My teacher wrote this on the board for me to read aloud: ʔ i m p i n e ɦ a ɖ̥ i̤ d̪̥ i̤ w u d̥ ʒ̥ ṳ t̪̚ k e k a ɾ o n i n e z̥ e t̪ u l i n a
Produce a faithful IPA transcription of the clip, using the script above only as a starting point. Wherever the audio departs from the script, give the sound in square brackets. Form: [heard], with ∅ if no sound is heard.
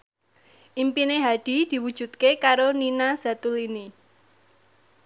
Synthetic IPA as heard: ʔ i m p i n e ɦ a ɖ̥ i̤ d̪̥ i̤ w u d̥ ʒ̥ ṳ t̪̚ k e k a ɾ o n i n [a] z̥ [a] t̪ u l i n [i]